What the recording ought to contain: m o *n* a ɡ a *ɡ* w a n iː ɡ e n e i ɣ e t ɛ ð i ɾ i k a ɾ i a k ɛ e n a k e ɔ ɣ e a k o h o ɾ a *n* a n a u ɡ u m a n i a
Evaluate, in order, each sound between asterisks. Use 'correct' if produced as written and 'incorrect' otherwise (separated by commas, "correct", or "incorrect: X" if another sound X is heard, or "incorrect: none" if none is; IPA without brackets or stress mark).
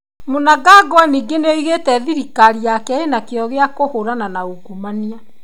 correct, correct, correct